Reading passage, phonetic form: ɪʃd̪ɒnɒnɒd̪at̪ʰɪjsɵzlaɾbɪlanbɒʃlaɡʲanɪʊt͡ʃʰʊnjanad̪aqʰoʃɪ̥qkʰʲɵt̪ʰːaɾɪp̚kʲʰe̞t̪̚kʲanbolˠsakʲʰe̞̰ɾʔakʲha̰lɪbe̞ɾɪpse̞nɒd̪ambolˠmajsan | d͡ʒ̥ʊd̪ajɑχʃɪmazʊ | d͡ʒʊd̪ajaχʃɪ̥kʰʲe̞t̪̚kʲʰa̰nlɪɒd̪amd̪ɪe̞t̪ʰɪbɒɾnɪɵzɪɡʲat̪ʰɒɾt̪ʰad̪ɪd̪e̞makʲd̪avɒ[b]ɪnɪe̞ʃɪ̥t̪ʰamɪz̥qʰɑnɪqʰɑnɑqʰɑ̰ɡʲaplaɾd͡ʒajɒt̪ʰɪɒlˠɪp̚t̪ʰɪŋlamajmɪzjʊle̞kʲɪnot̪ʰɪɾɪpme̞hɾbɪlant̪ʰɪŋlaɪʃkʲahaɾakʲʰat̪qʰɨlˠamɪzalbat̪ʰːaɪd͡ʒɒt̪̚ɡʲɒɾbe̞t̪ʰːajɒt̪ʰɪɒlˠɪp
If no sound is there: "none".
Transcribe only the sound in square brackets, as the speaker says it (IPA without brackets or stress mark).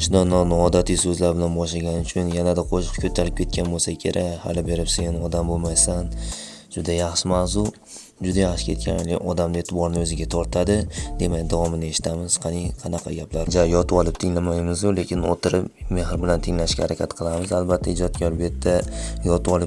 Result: m